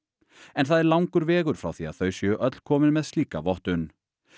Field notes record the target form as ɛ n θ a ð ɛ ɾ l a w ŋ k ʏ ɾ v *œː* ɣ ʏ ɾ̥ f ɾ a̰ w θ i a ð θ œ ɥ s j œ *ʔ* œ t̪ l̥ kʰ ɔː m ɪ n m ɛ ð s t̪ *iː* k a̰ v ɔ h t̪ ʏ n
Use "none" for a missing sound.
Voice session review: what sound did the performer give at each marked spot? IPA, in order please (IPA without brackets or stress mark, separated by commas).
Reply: ɛː, ʔ, iː